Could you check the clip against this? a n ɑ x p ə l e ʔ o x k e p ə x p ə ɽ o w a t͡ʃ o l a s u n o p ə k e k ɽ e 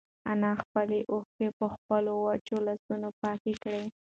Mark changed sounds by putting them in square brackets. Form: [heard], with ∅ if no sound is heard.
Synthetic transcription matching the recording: a n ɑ x p ə l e ʔ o x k e p ə x p ə [l] o w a t͡ʃ o l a s u n o p [ɑ] k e k ɽ e